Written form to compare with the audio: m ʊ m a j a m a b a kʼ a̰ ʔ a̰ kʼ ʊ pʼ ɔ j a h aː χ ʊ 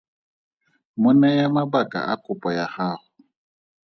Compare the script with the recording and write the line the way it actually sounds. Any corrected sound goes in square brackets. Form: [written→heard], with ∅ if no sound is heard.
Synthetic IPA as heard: m ʊ [m→n] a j a m a b a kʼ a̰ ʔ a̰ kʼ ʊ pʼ ɔ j a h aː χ ʊ